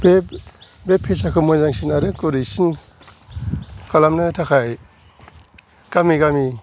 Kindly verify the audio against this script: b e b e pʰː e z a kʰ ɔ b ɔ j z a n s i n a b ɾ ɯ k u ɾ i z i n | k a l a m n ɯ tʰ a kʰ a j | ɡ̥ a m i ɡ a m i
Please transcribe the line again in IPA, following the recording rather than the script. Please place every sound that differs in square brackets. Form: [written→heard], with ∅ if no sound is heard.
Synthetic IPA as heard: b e b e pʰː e [z→s] a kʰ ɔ [b→m] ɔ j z a [n→ŋ] s i n a [b→∅] ɾ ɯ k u ɾ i [z→s] i n | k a l a m n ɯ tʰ a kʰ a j | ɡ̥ a m i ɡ a m i